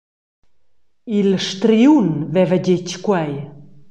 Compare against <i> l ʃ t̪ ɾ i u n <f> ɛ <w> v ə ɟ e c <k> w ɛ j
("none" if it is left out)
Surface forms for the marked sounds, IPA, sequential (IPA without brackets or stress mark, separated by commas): i, v, none, k